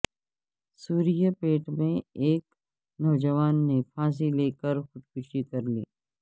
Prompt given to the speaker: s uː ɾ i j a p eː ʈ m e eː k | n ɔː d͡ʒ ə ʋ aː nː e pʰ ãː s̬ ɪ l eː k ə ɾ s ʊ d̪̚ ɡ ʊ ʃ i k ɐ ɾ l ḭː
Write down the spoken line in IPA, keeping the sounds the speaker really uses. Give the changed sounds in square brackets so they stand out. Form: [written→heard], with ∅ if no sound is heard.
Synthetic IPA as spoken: s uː ɾ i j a p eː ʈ m [e→ẽ] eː k | n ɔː d͡ʒ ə ʋ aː nː e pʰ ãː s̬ [ɪ→i] l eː k ə ɾ [s→x] ʊ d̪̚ [ɡ→k] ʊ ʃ i k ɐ ɾ l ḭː